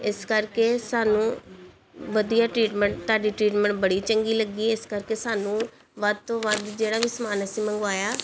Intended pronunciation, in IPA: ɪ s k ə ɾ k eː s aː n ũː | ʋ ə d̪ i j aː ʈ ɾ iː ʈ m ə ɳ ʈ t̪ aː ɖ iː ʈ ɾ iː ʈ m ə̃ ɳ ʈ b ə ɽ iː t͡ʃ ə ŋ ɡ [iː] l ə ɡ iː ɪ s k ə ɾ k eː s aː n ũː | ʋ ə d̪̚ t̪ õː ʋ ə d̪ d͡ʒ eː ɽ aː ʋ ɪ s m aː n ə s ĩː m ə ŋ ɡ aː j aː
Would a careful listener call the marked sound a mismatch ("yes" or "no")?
no